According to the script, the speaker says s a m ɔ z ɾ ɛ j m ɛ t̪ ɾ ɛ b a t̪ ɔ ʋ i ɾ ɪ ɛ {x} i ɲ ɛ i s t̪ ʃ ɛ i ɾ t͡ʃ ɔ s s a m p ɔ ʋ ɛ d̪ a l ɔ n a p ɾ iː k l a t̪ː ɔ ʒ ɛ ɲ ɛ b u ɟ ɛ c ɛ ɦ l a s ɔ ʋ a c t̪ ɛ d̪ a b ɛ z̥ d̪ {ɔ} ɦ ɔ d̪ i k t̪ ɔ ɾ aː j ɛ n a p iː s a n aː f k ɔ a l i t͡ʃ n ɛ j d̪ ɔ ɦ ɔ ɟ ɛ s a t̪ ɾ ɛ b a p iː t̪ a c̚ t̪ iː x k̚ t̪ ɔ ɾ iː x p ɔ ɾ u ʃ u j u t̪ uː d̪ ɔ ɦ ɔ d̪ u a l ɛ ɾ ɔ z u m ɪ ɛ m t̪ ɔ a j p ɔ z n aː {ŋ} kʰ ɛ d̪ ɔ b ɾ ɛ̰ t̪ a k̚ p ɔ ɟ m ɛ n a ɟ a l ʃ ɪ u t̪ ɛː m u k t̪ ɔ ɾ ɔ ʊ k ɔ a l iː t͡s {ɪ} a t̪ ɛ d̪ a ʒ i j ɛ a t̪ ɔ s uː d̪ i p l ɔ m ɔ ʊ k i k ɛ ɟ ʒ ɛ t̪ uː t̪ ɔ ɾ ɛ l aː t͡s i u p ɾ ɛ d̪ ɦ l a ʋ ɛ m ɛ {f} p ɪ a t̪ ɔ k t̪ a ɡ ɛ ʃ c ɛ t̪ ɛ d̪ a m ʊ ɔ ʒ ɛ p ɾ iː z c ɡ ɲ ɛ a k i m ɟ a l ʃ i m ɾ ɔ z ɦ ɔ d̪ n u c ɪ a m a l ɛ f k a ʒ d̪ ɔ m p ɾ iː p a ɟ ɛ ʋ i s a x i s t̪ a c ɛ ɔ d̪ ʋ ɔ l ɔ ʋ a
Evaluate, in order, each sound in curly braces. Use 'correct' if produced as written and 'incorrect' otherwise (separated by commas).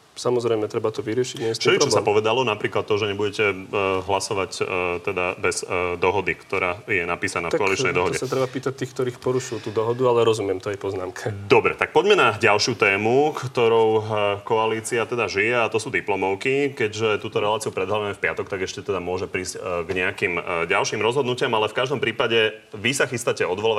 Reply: incorrect, correct, incorrect, incorrect, correct